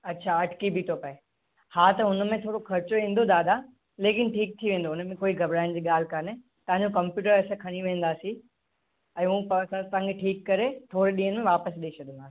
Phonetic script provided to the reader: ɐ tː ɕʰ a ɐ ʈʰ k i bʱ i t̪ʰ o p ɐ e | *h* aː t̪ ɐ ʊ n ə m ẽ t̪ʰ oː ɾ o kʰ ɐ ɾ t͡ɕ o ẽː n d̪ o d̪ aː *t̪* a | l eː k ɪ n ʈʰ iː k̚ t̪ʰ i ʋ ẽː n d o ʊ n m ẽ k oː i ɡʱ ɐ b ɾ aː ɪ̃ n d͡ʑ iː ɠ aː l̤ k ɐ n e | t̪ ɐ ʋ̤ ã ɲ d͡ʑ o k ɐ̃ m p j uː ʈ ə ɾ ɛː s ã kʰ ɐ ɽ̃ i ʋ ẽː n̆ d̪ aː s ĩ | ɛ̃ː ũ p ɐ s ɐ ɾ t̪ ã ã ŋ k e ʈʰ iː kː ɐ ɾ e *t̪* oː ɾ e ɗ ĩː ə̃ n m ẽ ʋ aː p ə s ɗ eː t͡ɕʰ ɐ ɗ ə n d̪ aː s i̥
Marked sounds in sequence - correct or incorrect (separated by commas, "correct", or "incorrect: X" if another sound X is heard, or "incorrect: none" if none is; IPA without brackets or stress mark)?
correct, incorrect: d̪, incorrect: t̪ʰ